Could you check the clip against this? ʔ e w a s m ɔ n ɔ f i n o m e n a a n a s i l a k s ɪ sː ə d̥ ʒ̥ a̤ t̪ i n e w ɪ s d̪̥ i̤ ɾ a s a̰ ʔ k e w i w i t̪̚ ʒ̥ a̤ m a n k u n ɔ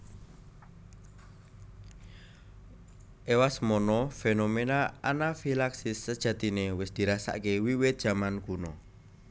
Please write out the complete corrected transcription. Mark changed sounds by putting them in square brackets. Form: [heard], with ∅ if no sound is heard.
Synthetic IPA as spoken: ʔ e w a s m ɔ n ɔ f [e] n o m e n a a n a [f] i l a k s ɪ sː ə d̥ ʒ̥ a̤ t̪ i n e w ɪ s d̪̥ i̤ ɾ a s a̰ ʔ k e w i w [ɪ] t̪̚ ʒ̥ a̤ m a n k u n ɔ

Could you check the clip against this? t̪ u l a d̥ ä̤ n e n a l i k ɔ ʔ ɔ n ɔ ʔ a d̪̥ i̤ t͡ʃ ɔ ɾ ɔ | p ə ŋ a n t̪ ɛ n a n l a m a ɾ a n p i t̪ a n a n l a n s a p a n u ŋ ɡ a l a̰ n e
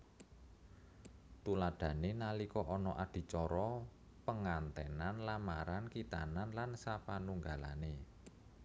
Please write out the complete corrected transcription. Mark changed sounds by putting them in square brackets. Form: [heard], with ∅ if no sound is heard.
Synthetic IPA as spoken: t̪ u l a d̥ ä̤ n e n a l i k ɔ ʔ ɔ n ɔ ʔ a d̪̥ i̤ t͡ʃ ɔ ɾ ɔ | p ə ŋ a n t̪ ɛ n a n l a m a ɾ a n [k] i t̪ a n a n l a n s a p a n u ŋ ɡ a l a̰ n e

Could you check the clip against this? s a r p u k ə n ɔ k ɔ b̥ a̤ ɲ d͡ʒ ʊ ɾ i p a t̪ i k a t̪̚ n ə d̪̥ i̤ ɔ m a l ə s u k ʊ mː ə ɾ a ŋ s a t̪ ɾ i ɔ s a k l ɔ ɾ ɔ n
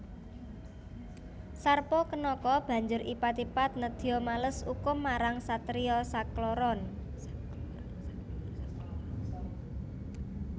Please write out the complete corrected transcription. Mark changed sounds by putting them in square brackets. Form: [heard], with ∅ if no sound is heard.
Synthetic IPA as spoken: s a r p [ɔ] k ə n ɔ k ɔ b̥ a̤ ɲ d͡ʒ ʊ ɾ i p a t̪ i [p] a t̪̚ n ə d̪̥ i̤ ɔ m a l ə s u k ʊ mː [a] ɾ a ŋ s a t̪ ɾ i ɔ s a k l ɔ ɾ ɔ n

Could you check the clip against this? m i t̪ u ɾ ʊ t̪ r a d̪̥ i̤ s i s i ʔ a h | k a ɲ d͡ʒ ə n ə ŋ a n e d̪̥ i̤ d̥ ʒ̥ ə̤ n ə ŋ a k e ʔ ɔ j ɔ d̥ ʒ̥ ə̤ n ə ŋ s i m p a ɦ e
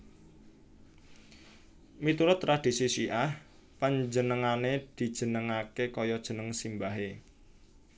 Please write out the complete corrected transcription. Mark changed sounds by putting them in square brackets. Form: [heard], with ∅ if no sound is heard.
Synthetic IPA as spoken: m i t̪ u ɾ ʊ t̪ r a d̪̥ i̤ s i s i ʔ a h | [p] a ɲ d͡ʒ ə n ə ŋ a n e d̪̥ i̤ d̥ ʒ̥ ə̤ n ə ŋ a k e [k] ɔ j ɔ d̥ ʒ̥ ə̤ n ə ŋ s i m [b] a ɦ e

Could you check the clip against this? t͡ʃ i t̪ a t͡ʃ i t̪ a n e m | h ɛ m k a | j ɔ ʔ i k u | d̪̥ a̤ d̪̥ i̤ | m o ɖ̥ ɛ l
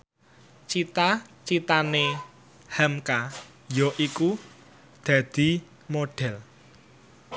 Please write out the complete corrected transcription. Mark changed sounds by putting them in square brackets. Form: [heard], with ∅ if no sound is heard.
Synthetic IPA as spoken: t͡ʃ i t̪ a t͡ʃ i t̪ a n e [∅] | h ɛ m k a | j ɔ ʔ i k u | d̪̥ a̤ d̪̥ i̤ | m o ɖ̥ ɛ l

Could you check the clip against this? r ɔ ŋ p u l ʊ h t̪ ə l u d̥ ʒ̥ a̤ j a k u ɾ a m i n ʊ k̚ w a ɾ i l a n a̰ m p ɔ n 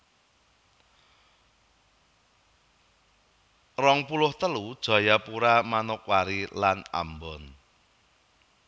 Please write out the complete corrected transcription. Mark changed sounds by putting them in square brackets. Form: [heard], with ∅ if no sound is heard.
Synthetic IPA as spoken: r ɔ ŋ p u l ʊ h t̪ ə l u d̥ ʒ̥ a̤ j a [p] u ɾ a m [a] n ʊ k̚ w a ɾ i l a n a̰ m [b] ɔ n

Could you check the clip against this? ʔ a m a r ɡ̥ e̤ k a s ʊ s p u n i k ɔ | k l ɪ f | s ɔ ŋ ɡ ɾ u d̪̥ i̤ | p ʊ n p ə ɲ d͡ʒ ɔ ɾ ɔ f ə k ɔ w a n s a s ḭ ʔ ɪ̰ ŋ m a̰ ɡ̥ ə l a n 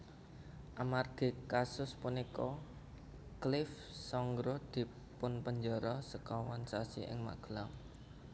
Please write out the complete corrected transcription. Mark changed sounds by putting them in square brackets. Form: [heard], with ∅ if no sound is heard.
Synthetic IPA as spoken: ʔ a m a r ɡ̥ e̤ k a s ʊ s p u n i k ɔ | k l ɪ f | s ɔ ŋ ɡ ɾ [ɔ] d̪̥ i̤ | p ʊ n p ə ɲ d͡ʒ ɔ ɾ ɔ [s] ə k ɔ w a n s a s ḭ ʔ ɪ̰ ŋ m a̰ ɡ̥ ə l a [ŋ]

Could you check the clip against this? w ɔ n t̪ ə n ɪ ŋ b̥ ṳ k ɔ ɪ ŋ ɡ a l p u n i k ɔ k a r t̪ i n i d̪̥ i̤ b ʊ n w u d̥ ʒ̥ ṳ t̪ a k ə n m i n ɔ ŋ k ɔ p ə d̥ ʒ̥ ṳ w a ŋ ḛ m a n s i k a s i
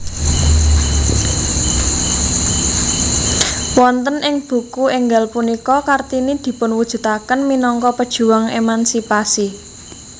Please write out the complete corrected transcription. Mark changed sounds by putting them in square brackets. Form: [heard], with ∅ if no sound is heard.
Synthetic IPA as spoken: w ɔ n t̪ ə n ɪ ŋ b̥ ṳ k [u] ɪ ŋ ɡ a l p u n i k ɔ k a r t̪ i n i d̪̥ i̤ [p] ʊ n w u d̥ ʒ̥ ṳ t̪ a k ə n m i n ɔ ŋ k ɔ p ə d̥ ʒ̥ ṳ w a ŋ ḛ m a n s i [p] a s i

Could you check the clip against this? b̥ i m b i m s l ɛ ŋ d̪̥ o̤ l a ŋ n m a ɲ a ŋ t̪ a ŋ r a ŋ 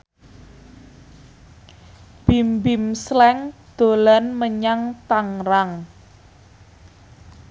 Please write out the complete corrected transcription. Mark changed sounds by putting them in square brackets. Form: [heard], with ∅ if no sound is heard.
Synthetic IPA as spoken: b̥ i m b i m s l ɛ ŋ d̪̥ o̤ l a [∅] n m [ə] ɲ a ŋ t̪ a ŋ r a ŋ

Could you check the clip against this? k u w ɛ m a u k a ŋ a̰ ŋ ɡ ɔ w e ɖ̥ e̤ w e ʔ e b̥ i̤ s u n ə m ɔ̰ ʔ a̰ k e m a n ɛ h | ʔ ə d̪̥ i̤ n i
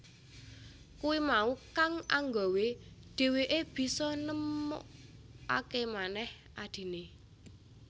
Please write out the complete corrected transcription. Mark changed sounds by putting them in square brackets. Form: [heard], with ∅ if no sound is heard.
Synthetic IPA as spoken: k u w [i] m a u k a ŋ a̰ ŋ ɡ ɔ w e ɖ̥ e̤ w e ʔ e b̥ i̤ s [ɔ] n ə m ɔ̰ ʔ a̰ k e m a n ɛ h | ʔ [a] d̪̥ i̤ n [e]

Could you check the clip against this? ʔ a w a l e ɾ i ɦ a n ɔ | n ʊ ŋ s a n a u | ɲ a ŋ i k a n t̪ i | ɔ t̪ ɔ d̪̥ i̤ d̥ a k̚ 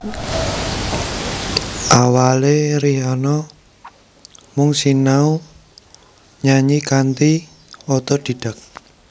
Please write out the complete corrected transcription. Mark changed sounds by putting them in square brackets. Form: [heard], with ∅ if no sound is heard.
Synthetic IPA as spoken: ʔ a w a l e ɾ i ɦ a n ɔ | [m] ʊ ŋ s [i] n a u | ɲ a [ɲ] i k a n t̪ i | ɔ t̪ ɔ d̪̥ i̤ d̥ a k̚

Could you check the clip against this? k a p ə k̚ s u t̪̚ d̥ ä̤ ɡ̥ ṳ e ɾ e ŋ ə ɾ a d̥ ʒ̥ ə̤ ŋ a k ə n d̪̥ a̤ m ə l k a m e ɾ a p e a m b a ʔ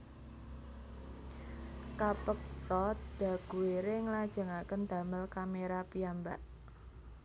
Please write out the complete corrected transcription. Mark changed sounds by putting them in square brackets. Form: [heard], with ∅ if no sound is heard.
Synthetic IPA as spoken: k a p ə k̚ s [ɔ] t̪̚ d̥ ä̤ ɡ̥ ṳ e ɾ e ŋ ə [l] a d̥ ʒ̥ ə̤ ŋ a k ə n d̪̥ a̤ m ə l k a m e ɾ a p [i] a m b a ʔ

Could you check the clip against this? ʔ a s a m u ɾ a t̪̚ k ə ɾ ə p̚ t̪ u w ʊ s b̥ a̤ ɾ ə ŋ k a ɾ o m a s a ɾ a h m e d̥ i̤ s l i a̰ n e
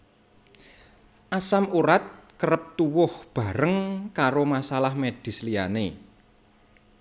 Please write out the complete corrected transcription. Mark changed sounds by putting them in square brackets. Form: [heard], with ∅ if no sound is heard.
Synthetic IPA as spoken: ʔ a s a m u ɾ a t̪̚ k ə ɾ ə p̚ t̪ u w ʊ [h] b̥ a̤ ɾ ə ŋ k a ɾ o m a s a [l] a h m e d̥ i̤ s l i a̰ n e

